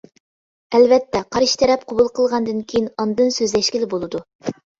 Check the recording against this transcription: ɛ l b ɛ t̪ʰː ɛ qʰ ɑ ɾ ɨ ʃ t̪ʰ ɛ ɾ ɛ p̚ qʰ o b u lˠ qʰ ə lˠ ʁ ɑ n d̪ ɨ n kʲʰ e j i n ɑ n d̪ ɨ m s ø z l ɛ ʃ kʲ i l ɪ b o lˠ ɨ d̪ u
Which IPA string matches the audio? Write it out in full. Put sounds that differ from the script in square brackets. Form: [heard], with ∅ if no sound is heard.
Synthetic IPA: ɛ l [v] ɛ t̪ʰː ɛ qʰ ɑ ɾ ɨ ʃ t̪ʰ ɛ ɾ ɛ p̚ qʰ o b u lˠ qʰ ə lˠ ʁ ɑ n d̪ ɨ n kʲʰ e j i n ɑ n d̪ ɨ [n] s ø z l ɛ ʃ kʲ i l ɪ b o lˠ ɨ d̪ u